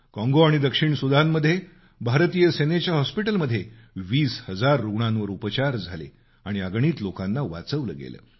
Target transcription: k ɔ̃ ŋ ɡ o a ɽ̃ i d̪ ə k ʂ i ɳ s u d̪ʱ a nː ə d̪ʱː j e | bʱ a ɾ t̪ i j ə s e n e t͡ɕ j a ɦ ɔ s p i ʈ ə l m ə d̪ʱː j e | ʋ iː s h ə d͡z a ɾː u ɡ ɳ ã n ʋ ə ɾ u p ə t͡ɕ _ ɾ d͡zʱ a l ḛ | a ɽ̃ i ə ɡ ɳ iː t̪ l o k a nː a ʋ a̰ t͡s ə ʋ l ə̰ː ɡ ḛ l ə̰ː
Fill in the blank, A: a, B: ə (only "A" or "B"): A